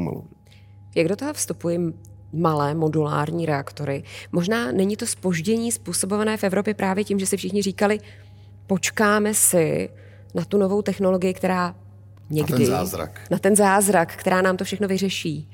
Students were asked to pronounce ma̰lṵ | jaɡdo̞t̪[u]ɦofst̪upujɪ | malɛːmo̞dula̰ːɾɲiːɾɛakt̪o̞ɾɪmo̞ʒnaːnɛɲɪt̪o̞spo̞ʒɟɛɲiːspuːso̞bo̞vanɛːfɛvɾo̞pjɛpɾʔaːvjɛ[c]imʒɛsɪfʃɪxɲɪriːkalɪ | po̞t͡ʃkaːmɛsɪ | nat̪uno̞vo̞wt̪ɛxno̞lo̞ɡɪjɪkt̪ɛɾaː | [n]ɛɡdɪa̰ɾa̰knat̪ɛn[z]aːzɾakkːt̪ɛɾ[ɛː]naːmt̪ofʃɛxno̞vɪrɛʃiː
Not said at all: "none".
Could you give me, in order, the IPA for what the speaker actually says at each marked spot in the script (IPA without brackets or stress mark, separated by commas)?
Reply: o, c, ɲ, z, aː